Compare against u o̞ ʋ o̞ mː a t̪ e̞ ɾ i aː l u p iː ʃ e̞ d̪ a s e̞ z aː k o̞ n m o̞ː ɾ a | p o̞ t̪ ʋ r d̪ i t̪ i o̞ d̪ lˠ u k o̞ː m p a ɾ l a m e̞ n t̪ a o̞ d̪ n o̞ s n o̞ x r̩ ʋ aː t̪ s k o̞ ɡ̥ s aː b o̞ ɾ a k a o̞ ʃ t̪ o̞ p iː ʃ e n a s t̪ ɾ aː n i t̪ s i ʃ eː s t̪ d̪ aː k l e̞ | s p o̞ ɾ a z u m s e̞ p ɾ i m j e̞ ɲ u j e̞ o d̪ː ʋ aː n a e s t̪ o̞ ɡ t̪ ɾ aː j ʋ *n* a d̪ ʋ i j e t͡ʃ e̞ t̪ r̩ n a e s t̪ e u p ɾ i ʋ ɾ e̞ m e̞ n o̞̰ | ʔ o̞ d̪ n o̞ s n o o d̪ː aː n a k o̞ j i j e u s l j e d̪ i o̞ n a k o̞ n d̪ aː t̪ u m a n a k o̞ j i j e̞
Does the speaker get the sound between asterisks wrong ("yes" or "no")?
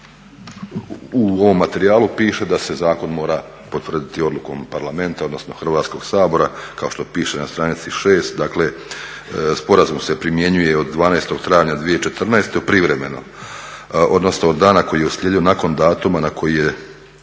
yes